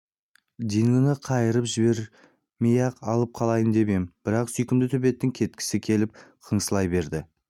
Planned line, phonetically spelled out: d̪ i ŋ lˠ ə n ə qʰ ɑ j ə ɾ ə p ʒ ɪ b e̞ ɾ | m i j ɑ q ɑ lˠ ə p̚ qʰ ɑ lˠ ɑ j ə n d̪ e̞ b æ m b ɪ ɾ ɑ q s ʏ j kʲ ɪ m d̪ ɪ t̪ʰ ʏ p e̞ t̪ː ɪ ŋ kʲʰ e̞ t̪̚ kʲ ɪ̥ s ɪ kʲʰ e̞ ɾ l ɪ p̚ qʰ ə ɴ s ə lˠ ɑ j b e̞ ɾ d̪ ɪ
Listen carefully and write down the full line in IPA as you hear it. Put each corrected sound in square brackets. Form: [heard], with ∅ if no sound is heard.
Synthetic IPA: d̪ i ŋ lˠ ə n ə qʰ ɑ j ə ɾ ə p ʒ ɪ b e̞ ɾ | m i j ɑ q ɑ lˠ ə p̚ qʰ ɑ lˠ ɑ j ə n d̪ e̞ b [e] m b ɪ ɾ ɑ q s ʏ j kʲ ɪ m d̪ ɪ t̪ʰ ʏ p e̞ t̪ː ɪ ŋ kʲʰ e̞ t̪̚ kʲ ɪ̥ s ɪ kʲʰ e̞ [∅] l ɪ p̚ qʰ ə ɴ s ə lˠ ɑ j b e̞ ɾ d̪ ɪ